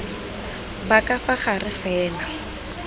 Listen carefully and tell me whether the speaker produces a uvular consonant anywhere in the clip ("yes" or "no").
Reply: yes